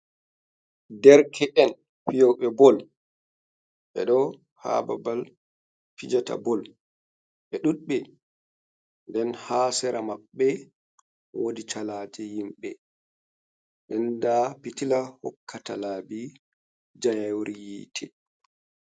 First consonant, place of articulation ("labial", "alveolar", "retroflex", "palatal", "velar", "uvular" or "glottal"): alveolar